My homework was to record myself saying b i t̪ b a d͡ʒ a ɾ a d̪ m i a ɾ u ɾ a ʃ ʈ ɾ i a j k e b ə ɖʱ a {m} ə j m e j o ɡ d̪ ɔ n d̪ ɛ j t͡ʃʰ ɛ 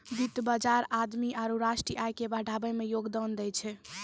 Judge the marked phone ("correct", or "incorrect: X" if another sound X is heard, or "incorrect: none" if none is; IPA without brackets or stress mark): incorrect: b